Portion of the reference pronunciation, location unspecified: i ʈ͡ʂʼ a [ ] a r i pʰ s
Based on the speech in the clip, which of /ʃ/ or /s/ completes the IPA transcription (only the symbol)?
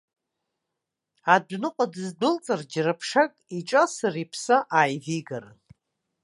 s